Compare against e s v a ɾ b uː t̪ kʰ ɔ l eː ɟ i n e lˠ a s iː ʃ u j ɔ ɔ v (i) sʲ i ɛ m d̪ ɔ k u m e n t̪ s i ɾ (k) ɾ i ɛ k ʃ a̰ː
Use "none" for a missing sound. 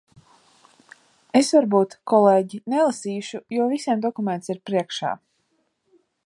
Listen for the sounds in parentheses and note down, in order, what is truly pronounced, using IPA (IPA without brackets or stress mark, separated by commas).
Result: i, p